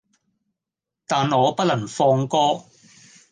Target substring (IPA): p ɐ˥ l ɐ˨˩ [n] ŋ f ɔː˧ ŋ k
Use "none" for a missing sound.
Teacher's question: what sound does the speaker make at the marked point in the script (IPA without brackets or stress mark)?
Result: none